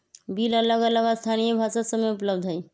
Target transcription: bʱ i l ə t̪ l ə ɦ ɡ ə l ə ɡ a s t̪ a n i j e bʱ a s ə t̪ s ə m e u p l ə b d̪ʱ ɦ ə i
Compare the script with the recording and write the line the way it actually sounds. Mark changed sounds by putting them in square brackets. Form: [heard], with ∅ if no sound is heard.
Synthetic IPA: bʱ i l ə [∅] l ə [∅] ɡ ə l ə ɡ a s [t̪ʰ] a n i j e bʱ a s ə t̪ s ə m e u p l ə b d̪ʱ ɦ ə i